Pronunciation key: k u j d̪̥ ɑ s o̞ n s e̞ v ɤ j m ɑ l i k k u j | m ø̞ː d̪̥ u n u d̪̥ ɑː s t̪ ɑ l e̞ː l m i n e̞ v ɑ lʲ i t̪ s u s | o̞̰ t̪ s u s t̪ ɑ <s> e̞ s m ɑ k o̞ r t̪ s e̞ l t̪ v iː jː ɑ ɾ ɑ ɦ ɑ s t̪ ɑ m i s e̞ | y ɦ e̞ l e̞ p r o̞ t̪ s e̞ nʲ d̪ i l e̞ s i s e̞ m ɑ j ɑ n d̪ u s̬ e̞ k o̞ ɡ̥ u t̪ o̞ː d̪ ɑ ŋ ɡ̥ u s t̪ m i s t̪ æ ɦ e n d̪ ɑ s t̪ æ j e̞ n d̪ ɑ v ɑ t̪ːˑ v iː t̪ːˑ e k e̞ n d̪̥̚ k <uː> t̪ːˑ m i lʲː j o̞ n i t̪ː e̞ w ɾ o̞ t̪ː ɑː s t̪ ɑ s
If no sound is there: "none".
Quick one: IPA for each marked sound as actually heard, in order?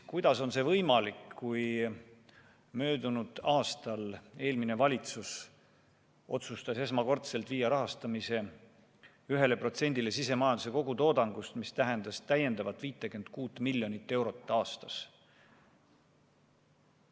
s, uː

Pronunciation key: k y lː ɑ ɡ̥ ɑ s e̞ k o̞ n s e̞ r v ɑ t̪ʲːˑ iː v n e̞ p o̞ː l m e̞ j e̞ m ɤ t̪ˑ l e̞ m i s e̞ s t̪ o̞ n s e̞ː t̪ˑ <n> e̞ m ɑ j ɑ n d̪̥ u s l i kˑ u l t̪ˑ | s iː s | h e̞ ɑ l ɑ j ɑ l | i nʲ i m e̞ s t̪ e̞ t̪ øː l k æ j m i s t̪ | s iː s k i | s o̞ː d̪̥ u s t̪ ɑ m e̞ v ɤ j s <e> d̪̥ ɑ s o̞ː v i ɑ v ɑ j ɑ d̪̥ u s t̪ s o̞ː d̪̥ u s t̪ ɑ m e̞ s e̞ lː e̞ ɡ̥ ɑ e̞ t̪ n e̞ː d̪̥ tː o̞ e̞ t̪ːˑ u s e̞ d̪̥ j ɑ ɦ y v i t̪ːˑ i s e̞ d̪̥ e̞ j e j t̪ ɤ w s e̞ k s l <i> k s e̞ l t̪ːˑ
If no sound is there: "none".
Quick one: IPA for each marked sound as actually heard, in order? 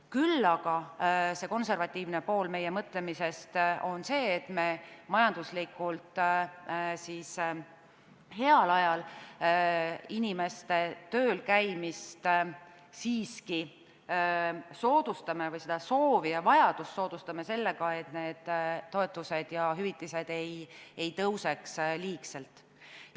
m, e, iː

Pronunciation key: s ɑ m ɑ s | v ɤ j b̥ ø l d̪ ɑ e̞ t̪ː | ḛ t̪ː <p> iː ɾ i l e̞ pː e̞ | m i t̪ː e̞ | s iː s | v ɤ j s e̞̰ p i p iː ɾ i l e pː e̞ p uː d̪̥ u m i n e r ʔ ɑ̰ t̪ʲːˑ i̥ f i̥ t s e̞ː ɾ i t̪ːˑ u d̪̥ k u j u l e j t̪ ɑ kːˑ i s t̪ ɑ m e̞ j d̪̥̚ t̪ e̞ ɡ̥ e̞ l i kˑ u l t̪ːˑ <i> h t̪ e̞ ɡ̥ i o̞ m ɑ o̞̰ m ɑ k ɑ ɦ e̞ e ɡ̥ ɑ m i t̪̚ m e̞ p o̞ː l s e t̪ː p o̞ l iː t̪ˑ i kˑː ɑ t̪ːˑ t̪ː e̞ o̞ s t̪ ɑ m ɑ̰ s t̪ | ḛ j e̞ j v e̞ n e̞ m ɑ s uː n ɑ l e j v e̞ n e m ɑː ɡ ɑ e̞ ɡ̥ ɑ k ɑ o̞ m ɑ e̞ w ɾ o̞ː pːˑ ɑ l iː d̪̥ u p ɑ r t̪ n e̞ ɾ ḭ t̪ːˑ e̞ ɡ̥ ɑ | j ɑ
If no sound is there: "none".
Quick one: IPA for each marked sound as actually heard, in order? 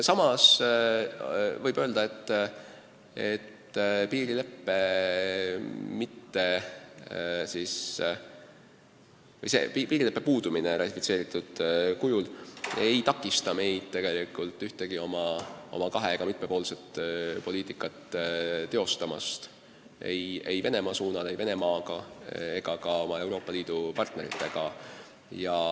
p, y

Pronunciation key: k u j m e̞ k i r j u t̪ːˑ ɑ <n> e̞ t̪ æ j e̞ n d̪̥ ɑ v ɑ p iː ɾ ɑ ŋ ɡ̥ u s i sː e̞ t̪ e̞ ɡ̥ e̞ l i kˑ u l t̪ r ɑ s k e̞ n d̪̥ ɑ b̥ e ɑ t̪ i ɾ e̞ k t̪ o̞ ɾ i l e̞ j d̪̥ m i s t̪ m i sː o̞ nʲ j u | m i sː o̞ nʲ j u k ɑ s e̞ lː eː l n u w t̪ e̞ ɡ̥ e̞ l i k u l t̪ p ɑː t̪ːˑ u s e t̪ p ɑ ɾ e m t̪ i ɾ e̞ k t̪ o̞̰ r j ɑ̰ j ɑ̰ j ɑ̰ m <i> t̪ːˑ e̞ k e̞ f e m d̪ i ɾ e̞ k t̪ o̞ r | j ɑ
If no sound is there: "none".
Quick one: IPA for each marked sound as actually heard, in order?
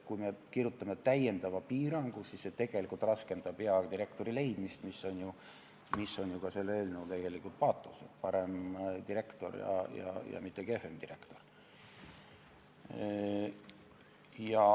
m, i

